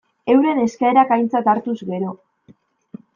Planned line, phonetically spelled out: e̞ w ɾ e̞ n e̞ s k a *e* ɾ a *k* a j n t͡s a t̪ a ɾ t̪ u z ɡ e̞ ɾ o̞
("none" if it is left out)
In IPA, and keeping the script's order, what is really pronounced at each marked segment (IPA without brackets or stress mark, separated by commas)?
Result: e, k